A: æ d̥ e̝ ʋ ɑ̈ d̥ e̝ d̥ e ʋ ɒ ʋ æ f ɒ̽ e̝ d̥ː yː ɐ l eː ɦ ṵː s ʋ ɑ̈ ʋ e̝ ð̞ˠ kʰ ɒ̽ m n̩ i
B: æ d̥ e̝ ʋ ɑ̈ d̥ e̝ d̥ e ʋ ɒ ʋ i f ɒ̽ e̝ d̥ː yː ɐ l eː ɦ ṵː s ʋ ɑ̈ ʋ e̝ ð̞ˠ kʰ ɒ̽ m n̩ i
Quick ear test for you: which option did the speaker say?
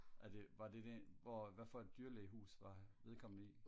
A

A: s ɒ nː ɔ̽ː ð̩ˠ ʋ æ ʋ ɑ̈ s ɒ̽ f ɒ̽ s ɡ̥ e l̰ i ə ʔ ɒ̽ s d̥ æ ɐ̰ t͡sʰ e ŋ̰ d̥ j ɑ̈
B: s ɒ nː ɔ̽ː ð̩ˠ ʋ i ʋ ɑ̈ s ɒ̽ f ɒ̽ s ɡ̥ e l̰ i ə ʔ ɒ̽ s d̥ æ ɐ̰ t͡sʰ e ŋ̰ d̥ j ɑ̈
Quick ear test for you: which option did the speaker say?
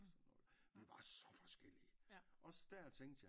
B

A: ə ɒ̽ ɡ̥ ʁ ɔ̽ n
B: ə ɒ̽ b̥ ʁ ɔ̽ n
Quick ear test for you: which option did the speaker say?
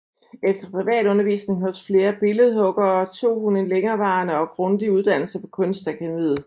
A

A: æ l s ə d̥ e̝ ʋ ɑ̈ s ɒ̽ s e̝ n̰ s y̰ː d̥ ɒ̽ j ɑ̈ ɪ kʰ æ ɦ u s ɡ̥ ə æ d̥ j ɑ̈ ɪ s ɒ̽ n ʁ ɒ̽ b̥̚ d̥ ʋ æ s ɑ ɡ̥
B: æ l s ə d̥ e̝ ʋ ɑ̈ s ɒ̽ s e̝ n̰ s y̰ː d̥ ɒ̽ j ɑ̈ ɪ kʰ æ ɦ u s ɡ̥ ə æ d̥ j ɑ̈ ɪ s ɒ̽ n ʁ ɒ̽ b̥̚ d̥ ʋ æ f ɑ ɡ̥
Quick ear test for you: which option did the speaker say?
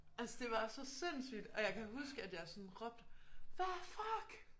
B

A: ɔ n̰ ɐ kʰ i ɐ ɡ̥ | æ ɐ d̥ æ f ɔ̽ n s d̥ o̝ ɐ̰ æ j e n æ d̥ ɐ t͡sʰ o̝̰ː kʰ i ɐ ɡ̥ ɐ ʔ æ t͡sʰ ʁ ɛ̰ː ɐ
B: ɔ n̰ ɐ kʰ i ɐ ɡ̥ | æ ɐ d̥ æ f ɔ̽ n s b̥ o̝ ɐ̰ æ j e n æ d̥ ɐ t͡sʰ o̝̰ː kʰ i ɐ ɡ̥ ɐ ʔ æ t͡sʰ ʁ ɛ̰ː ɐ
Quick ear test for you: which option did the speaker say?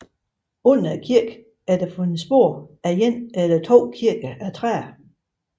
B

